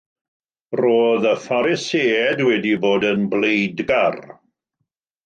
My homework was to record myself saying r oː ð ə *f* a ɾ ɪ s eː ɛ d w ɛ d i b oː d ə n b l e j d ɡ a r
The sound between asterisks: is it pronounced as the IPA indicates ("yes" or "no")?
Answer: yes